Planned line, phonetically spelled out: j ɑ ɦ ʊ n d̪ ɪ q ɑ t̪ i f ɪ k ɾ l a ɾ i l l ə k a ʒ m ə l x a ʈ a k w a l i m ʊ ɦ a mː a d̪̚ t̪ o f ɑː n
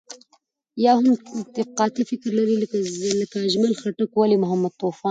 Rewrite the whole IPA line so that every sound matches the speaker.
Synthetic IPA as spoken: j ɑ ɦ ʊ m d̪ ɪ q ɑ t̪ i f ɪ k ɾ l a ɾ i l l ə k a ʒ m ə l x a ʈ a k w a l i m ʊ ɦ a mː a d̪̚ t̪ o f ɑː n

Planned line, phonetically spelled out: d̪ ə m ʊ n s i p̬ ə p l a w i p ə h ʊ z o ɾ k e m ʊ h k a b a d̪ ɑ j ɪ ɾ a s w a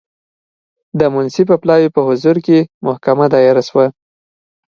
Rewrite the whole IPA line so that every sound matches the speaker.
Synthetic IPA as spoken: d̪ ə m ʊ n s i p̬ ə p l ɑ w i p ə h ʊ z u ɾ k e m ʊ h k a m a d̪ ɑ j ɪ ɾ a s w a

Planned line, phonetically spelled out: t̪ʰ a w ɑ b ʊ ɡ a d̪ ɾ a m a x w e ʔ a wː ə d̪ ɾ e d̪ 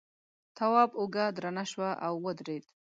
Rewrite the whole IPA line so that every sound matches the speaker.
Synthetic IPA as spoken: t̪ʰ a w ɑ b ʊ ɡ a d̪ ɾ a n a ʃ w a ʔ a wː ə d̪ ɾ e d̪

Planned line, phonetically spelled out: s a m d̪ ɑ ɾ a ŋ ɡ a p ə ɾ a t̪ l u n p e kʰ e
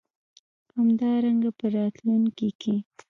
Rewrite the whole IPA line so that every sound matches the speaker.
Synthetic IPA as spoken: h a m d̪ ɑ ɾ a ŋ ɡ a p ə ɾ ɑ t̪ l u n k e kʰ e

